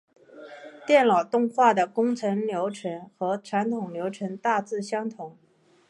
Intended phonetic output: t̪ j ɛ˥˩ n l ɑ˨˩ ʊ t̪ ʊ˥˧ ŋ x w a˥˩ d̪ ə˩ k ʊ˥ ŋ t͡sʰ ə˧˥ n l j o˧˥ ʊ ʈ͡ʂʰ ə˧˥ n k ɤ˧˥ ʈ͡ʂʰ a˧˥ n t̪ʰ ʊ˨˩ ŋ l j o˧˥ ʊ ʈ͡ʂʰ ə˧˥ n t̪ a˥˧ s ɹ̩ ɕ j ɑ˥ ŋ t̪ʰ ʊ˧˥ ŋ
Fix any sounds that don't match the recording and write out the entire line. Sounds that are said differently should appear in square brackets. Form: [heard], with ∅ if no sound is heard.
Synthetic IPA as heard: t̪ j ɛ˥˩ n l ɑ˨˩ ʊ t̪ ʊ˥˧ ŋ x w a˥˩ d̪ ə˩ k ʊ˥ ŋ t͡sʰ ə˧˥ n l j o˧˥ ʊ ʈ͡ʂʰ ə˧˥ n [x] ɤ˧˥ ʈ͡ʂʰ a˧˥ n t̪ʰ ʊ˨˩ ŋ l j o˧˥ ʊ ʈ͡ʂʰ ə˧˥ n t̪ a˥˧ [t͡s] ɹ̩ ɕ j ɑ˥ ŋ t̪ʰ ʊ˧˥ ŋ